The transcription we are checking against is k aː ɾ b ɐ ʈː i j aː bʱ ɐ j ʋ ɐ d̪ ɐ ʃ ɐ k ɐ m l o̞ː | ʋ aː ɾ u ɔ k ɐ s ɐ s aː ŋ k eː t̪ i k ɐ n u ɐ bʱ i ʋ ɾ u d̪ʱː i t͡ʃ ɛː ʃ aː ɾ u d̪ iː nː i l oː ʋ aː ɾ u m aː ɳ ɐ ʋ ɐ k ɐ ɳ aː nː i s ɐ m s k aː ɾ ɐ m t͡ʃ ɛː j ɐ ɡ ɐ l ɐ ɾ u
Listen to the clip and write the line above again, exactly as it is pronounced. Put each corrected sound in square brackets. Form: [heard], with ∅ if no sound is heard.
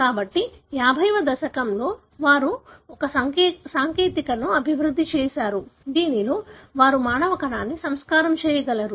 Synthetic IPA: k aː [∅] b ɐ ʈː i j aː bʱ ɐ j ʋ ɐ d̪ ɐ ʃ ɐ k ɐ m l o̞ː | ʋ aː ɾ u ɔ k ɐ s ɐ s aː ŋ k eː t̪ i k ɐ n u ɐ bʱ i ʋ ɾ u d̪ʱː i t͡ʃ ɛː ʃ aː ɾ u d̪ iː [n] i l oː ʋ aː ɾ u m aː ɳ ɐ ʋ ɐ k ɐ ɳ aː nː i s ɐ m s k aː ɾ ɐ m t͡ʃ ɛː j ɐ ɡ ɐ l ɐ ɾ u